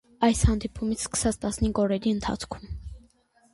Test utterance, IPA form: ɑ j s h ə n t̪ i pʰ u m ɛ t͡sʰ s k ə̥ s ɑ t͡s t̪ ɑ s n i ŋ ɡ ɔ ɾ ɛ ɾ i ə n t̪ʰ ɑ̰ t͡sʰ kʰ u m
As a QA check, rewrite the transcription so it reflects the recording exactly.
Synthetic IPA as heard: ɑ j s h ɑ n d̪ i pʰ u m i t͡sʰ s k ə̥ s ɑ t͡s t̪ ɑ s n i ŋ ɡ ɔ ɾ ɛ ɾ i ə n t̪ʰ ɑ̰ t͡sʰ kʰ u m